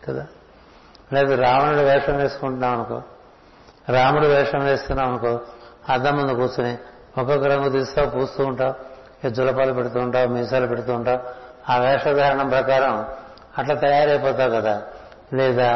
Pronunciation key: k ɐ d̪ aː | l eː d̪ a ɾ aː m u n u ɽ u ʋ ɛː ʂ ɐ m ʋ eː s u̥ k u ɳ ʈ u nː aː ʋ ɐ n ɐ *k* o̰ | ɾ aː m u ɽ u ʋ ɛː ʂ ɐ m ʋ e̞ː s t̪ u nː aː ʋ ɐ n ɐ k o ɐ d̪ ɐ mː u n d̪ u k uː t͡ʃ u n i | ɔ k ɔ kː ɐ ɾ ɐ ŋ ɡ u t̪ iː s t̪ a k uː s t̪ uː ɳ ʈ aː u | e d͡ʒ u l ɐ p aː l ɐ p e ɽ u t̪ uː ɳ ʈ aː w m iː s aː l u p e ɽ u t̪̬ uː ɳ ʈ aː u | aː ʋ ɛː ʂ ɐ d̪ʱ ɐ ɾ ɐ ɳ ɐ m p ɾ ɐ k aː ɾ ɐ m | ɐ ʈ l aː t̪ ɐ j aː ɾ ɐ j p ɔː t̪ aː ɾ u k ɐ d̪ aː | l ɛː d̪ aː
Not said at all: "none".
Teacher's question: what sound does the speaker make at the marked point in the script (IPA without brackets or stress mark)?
k